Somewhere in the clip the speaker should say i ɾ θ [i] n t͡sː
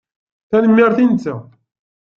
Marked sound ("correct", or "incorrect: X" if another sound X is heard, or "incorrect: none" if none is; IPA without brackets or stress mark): correct